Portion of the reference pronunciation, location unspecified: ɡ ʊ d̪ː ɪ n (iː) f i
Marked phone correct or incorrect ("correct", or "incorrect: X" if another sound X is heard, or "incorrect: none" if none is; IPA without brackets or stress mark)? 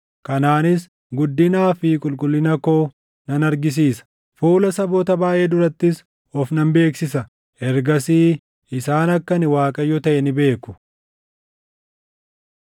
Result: incorrect: aː